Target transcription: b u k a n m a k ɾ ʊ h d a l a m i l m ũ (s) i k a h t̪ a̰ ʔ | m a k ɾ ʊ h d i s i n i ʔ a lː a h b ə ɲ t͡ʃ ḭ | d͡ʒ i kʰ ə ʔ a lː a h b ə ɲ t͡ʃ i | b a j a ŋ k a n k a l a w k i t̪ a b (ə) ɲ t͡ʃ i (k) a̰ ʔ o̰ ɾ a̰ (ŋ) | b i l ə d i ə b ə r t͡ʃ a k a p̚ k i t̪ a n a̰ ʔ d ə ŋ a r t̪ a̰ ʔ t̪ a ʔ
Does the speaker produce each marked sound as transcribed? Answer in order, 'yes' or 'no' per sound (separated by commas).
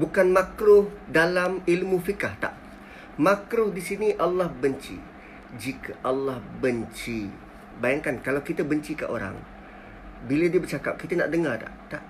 no, yes, yes, yes